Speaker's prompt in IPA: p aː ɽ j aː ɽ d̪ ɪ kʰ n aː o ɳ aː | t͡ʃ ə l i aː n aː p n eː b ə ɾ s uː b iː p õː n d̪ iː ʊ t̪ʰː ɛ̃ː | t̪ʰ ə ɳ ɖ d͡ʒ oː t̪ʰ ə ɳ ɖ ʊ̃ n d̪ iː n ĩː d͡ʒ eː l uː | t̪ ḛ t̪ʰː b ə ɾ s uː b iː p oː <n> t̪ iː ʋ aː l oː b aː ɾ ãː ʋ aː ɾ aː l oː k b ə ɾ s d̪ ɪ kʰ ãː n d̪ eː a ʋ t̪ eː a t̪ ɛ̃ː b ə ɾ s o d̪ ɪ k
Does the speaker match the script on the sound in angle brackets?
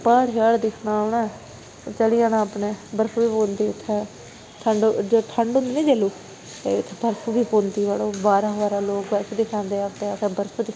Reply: yes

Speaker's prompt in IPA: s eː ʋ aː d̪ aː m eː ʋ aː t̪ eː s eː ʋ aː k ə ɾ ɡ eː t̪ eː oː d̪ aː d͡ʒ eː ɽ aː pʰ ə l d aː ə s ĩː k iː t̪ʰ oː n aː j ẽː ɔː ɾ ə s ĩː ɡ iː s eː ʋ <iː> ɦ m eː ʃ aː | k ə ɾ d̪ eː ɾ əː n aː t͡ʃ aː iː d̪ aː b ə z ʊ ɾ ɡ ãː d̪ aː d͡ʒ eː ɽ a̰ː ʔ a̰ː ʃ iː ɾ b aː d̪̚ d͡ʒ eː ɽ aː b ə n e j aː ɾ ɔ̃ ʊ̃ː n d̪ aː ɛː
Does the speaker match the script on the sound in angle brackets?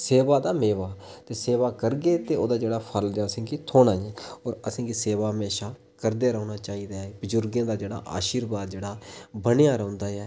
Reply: no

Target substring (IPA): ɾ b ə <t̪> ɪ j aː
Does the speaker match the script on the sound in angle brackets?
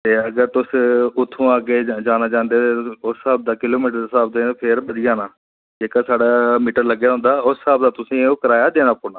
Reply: no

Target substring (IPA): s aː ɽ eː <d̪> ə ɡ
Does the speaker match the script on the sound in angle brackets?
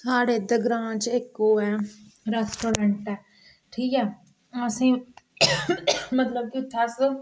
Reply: yes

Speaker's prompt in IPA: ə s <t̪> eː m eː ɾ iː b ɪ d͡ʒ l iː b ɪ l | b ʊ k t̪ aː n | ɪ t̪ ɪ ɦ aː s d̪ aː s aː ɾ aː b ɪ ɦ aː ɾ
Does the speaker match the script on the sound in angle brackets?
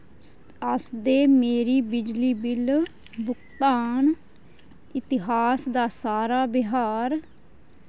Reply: no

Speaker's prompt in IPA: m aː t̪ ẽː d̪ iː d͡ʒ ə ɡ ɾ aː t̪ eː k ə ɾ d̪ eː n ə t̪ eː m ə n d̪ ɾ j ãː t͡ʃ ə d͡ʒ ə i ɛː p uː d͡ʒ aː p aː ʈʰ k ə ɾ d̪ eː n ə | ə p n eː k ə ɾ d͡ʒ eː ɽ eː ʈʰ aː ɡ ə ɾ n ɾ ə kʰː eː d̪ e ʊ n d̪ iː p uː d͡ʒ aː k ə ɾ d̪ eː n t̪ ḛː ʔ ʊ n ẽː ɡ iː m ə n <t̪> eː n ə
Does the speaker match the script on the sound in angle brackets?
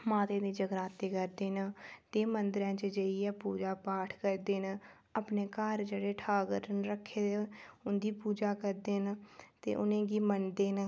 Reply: no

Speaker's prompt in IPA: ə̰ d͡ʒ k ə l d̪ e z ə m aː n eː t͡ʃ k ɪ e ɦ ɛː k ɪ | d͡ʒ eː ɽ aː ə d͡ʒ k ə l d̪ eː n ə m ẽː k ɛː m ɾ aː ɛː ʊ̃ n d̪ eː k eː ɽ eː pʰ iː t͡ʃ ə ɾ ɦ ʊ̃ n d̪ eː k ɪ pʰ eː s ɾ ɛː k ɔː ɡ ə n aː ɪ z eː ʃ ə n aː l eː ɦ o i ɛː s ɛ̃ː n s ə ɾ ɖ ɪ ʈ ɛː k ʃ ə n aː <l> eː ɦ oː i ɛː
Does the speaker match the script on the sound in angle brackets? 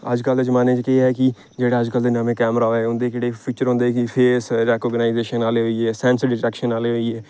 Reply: yes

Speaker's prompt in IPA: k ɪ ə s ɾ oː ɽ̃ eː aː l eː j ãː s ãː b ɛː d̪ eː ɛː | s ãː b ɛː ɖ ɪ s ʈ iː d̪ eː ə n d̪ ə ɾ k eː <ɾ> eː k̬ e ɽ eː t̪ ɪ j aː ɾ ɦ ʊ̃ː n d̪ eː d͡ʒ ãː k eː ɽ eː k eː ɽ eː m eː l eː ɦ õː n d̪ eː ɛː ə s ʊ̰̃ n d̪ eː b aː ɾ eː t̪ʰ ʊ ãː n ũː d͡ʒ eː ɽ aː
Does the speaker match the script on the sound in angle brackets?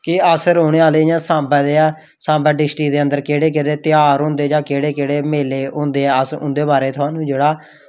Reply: no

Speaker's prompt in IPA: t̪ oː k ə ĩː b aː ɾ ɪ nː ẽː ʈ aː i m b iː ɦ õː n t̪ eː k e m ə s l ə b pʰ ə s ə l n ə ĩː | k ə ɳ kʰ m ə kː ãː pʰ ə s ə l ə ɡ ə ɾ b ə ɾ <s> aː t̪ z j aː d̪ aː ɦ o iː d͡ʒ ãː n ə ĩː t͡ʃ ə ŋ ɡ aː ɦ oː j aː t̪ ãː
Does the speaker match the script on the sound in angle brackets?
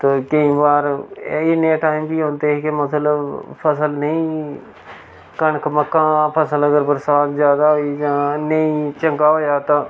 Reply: yes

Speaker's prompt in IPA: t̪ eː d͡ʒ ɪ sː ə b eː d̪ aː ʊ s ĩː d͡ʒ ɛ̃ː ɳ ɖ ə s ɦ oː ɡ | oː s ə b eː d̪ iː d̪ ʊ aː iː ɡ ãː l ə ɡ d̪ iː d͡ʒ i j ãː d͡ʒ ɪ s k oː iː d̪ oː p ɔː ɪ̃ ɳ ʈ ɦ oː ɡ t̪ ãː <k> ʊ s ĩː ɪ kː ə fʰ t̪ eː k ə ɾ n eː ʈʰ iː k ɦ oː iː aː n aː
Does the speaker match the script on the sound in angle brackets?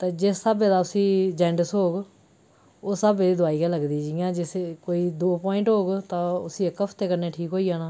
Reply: no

